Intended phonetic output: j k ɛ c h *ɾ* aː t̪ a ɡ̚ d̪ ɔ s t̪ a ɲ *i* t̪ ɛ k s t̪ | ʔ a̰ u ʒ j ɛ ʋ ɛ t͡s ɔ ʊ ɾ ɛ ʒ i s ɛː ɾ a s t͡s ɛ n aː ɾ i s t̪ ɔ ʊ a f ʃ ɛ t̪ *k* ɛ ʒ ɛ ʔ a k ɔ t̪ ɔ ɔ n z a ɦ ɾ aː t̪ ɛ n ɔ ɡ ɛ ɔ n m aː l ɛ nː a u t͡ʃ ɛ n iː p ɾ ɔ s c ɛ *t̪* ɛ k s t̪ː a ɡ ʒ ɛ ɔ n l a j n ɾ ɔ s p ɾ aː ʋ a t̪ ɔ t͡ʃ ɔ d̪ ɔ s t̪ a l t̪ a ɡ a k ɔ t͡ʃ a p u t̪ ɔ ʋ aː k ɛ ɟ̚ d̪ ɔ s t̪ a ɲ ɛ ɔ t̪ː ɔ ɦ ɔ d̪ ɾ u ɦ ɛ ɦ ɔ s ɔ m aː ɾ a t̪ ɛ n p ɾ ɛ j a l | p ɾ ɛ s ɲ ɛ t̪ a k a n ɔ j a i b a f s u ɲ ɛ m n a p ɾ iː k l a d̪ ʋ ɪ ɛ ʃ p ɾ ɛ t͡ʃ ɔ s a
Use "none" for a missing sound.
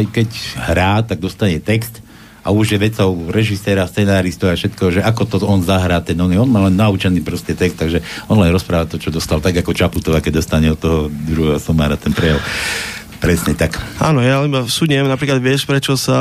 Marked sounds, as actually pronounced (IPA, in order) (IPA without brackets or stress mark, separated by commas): ɾ, ɛ, k, t̪